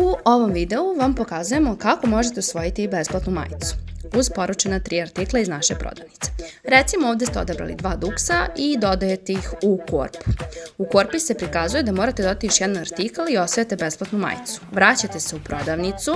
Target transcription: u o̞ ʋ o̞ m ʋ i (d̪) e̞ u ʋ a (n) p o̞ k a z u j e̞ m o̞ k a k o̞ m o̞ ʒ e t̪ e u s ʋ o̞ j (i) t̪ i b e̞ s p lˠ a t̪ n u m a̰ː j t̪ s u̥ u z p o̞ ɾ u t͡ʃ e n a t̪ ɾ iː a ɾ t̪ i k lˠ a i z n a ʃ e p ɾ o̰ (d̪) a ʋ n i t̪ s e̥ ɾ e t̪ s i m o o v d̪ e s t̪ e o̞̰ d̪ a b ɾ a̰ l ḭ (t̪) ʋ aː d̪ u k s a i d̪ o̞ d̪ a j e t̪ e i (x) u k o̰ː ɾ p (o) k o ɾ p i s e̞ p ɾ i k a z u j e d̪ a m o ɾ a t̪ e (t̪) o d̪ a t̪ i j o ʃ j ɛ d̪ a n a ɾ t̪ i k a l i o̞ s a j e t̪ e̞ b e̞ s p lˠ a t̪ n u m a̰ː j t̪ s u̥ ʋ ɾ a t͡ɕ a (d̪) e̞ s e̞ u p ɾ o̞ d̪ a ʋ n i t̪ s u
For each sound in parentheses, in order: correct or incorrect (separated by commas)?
correct, incorrect, correct, correct, incorrect, correct, incorrect, incorrect, incorrect